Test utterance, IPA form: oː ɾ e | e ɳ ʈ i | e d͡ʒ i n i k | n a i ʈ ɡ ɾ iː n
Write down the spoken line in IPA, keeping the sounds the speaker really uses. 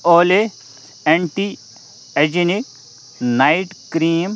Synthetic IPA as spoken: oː l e | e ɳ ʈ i | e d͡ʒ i n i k | n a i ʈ k ɾ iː m